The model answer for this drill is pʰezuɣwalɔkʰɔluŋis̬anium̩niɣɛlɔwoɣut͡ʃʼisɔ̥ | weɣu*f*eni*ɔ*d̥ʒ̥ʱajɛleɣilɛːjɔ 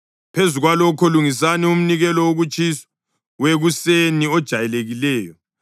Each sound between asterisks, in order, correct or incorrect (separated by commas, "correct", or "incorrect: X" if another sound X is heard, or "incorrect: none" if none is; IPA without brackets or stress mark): incorrect: s, correct